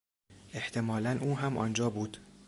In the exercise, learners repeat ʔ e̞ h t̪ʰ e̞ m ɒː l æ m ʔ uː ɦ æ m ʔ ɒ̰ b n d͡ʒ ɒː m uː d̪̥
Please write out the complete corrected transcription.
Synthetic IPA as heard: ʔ e̞ h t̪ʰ e̞ m ɒː l æ n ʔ uː ɦ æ m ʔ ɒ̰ n d͡ʒ ɒː b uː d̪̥